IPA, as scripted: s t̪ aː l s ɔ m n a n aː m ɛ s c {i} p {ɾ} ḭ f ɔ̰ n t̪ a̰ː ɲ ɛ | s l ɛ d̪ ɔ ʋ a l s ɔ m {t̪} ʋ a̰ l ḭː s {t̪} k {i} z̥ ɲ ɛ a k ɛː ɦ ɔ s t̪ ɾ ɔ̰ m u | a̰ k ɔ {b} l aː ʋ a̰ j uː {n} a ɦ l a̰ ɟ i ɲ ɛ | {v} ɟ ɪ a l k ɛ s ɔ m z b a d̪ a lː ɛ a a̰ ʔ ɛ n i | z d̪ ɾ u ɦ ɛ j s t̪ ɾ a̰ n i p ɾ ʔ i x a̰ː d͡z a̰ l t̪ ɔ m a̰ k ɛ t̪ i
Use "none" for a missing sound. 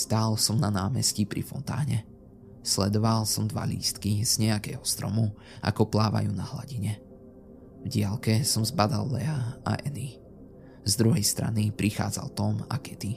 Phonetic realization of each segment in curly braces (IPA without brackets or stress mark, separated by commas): i, ɾ, d̪, t̪, i, p, n, v